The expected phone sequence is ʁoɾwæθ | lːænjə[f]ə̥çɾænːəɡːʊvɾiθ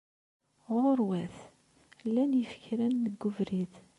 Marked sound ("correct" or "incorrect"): correct